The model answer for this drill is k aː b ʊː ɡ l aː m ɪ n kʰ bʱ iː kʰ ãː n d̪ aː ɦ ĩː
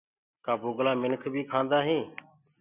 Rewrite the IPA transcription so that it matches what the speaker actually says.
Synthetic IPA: k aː b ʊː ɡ l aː m ɪ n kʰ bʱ iː kʰ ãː n d̪ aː ɦ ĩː

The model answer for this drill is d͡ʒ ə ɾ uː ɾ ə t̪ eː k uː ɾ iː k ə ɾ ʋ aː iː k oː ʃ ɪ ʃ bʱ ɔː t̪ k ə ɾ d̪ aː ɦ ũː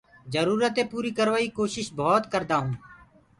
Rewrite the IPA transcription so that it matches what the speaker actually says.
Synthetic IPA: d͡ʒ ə ɾ uː ɾ ə t̪ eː p uː ɾ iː k ə ɾ ʋ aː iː k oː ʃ ɪ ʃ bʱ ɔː t̪ k ə ɾ d̪ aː ɦ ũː

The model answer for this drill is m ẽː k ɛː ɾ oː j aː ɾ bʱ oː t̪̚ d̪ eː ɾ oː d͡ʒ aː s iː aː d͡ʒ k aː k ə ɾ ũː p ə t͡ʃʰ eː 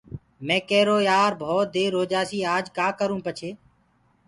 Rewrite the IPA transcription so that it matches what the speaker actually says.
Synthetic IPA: m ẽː k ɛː ɾ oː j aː ɾ bʱ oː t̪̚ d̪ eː ɾ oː d͡ʒ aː s iː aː d͡ʒ k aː k ə ɾ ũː p ə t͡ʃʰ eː

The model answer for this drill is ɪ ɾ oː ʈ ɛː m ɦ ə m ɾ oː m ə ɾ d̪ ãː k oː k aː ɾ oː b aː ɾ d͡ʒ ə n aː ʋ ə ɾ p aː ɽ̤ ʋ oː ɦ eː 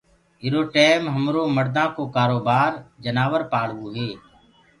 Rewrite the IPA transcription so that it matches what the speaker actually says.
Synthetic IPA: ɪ ɾ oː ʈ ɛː m ɦ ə m ɾ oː m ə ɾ d̪ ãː k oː k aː ɾ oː b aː ɾ d͡ʒ ə n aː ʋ ə ɾ p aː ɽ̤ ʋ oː ɦ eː

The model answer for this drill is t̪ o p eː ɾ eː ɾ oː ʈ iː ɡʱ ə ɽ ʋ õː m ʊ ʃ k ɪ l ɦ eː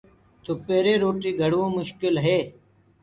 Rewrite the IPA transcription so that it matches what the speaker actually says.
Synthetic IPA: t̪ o p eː ɾ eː ɾ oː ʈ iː ɡʱ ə ɽ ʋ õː m ʊ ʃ k ɪ l ɦ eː

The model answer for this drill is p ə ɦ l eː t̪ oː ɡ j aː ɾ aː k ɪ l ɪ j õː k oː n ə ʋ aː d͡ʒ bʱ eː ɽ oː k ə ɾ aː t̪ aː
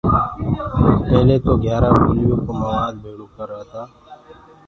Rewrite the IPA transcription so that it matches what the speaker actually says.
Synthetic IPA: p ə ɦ l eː t̪ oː ɡ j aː ɾ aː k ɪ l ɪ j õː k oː m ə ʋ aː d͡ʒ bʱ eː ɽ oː k ə ɾ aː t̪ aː

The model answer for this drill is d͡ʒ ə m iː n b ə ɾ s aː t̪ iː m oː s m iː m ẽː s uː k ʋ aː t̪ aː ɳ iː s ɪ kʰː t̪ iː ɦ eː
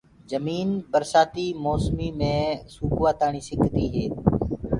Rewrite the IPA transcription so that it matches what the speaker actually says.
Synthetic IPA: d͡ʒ ə m iː n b ə ɾ s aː t̪ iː m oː s m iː m ẽː s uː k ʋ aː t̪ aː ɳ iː s ɪ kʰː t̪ iː ɦ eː

